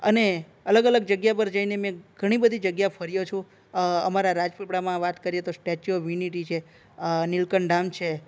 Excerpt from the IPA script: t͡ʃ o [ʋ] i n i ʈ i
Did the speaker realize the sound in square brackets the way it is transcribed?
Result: yes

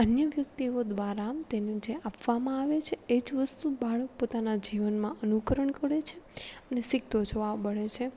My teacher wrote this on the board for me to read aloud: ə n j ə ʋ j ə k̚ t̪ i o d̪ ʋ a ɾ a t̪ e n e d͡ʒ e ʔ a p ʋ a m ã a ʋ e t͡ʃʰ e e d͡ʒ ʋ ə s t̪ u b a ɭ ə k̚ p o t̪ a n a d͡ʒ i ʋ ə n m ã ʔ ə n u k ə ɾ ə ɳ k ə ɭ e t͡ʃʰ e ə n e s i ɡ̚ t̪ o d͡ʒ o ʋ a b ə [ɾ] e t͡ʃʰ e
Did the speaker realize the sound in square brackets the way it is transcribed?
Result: no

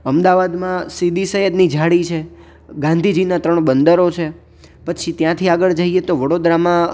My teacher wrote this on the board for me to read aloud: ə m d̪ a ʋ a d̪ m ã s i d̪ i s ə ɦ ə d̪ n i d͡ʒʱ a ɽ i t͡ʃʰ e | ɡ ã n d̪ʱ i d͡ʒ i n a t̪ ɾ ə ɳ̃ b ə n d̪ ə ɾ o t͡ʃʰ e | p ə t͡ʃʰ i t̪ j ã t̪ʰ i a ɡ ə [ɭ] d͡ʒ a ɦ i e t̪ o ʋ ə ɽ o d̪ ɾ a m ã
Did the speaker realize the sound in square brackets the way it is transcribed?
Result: yes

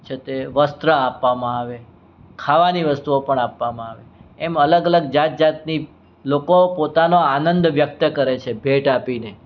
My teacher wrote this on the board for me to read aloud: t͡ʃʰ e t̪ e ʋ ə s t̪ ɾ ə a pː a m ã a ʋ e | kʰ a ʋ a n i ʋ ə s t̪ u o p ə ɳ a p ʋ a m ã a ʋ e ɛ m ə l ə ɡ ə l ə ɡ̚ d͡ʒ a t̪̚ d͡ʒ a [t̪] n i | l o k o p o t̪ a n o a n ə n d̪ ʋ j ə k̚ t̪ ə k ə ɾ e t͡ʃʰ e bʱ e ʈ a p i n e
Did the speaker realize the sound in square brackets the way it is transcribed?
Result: yes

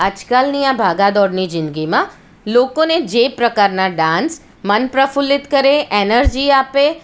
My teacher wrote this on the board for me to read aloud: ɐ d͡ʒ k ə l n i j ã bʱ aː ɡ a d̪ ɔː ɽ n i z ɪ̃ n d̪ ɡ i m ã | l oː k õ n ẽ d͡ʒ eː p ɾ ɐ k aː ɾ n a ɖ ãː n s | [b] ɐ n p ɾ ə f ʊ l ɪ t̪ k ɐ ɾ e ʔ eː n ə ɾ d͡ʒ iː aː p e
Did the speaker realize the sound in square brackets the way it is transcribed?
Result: no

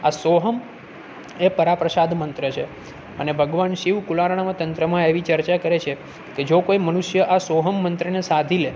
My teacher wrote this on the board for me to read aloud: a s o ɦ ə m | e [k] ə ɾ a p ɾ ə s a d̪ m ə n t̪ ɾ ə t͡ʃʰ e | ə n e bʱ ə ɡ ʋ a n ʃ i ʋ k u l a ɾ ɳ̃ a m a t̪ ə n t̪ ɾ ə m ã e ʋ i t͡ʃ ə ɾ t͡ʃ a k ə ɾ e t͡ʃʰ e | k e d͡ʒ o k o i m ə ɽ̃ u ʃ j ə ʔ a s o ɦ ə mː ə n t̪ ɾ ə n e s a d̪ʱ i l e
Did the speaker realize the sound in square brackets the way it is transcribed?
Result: no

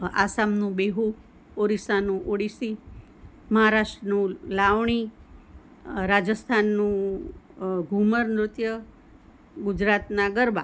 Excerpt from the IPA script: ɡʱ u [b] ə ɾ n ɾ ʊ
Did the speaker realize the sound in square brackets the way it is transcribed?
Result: no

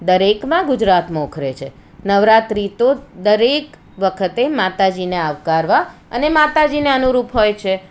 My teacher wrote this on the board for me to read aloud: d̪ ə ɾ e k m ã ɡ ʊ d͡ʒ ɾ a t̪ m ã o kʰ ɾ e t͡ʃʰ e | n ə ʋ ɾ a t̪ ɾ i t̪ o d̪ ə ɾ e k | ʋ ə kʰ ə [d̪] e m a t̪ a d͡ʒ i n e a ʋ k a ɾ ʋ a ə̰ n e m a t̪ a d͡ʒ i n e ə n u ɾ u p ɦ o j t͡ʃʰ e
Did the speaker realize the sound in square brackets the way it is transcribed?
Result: no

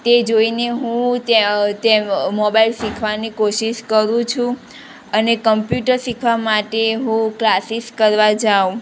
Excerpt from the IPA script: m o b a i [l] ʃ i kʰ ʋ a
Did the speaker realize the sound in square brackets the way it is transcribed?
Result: yes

